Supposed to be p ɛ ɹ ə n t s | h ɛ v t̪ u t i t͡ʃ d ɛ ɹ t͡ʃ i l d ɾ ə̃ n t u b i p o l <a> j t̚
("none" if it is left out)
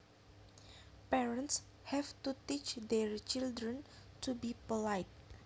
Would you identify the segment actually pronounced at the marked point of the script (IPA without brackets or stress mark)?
a